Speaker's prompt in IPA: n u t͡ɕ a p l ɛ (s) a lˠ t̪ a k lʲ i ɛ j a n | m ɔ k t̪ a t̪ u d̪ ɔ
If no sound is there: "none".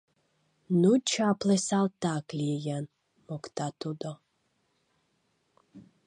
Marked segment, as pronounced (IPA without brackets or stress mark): s